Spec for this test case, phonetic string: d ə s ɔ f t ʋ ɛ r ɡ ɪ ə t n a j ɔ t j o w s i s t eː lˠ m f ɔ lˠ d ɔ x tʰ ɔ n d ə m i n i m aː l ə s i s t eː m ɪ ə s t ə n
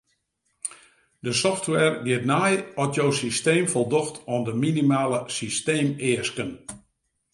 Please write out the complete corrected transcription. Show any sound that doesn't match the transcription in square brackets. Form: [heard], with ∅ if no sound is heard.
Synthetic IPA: d ə s ɔ f t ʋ ɛ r ɡ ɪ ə t n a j ɔ t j o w s i s t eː [∅] m f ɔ lˠ d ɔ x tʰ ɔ n d ə m i n i m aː l ə s i s t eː m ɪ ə s [k] ə n